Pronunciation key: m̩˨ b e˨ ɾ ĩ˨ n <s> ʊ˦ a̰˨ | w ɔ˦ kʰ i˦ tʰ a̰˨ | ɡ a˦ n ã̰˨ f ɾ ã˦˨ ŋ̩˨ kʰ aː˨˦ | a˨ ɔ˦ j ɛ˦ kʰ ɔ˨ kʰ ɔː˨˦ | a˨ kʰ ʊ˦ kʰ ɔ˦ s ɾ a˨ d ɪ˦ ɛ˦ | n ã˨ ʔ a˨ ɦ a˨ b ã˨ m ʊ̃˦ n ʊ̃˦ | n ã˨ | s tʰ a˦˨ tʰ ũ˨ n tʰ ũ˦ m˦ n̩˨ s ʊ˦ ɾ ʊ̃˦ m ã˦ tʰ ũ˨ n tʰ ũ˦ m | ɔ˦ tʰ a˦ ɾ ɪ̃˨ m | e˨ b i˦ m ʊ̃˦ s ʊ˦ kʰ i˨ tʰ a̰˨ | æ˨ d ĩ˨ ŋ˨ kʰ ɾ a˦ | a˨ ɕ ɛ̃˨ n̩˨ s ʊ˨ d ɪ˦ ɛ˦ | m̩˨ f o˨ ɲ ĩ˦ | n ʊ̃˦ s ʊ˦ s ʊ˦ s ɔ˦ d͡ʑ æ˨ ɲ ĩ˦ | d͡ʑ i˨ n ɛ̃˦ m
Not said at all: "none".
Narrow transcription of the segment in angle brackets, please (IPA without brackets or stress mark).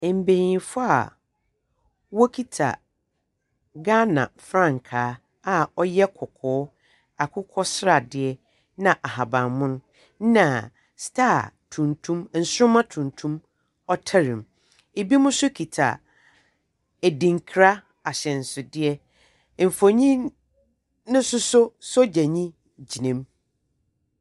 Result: f